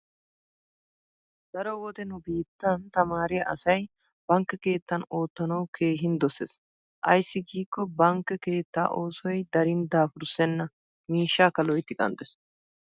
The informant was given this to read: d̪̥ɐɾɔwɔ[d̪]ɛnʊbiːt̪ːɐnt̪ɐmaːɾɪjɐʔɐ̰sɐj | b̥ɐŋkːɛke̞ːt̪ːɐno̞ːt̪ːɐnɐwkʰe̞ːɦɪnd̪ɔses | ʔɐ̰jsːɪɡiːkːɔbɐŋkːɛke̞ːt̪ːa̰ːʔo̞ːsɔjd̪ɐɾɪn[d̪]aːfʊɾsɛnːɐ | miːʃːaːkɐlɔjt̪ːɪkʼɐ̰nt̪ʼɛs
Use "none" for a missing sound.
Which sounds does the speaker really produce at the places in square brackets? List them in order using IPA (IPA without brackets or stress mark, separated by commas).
t̪, d̪